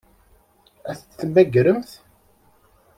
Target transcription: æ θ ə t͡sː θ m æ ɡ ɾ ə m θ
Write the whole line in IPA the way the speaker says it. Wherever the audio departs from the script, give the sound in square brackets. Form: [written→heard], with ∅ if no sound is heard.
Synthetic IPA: æ θ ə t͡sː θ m æ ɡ ɾ ə m θ